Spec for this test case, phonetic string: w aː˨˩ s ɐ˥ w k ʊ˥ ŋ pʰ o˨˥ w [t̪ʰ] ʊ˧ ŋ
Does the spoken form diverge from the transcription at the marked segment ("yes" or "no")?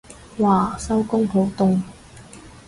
yes